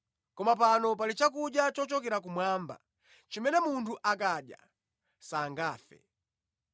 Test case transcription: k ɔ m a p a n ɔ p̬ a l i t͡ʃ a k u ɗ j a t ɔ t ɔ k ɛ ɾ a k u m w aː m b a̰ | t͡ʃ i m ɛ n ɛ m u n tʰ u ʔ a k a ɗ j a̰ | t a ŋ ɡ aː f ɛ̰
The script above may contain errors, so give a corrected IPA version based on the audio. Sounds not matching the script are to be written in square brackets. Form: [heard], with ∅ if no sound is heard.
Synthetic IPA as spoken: k ɔ m a p a n ɔ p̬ a l i t͡ʃ a k u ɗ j a [t͡ʃ] ɔ [t͡ʃ] ɔ k ɛ ɾ a k u m w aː m b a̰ | t͡ʃ i m ɛ n ɛ m u n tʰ u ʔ a k a ɗ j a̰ | [s] a ŋ ɡ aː f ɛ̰